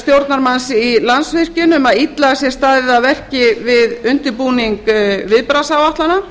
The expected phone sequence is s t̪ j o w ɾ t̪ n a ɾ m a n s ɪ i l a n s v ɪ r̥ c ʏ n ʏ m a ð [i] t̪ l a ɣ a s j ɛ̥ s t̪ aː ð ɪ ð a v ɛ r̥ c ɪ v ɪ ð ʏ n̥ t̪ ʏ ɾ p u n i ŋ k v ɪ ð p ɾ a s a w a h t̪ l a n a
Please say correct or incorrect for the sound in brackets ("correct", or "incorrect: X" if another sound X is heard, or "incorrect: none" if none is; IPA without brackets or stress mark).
correct